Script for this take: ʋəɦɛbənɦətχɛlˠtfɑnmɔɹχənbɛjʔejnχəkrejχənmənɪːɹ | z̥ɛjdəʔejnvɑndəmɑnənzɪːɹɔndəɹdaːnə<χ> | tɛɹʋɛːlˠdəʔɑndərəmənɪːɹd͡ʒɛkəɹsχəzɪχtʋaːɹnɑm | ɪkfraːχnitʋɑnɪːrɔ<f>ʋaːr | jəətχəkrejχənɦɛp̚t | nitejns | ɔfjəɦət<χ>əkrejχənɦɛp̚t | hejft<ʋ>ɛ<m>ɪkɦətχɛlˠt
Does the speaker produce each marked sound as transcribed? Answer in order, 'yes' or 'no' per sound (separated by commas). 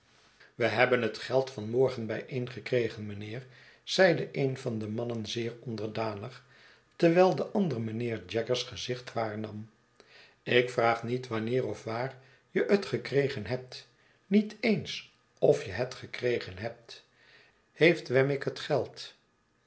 yes, yes, yes, yes, yes